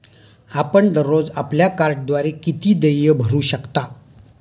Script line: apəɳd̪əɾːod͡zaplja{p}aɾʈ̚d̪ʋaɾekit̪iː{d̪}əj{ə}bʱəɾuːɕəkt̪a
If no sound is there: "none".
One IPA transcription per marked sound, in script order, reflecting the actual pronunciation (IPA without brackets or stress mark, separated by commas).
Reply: k, d̪, ə